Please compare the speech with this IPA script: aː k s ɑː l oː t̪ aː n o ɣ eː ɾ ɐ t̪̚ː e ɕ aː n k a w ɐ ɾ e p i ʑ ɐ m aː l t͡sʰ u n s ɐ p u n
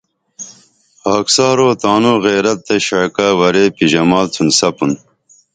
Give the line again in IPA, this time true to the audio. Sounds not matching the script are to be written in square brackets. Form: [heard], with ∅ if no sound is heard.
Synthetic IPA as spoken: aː k s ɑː [ɾ] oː t̪ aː n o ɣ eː ɾ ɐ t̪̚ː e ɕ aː [∅] k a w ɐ ɾ e p i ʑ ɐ m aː l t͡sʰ u n s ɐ p u n